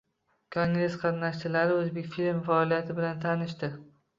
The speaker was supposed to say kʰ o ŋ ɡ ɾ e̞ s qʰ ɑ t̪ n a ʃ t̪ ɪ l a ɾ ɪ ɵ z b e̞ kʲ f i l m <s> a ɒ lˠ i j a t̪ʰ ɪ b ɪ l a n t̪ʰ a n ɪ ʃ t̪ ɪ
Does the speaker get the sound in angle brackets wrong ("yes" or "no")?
yes